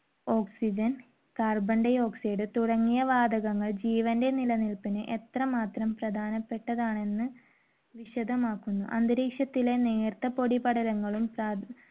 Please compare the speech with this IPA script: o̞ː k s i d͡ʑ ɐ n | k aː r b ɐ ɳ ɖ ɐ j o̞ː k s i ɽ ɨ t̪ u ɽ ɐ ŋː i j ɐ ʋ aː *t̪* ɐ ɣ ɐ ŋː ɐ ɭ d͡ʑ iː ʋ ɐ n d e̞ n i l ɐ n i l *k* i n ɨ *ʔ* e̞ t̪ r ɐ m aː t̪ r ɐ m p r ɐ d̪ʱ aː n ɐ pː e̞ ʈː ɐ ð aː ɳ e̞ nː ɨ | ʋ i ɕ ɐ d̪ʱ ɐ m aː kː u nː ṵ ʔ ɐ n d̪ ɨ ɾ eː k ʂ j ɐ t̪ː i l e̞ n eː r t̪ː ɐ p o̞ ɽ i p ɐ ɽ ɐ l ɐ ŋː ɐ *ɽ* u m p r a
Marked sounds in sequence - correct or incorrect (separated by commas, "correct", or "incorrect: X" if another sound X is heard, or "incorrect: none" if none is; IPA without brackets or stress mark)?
incorrect: d̪, incorrect: p, correct, incorrect: ɭ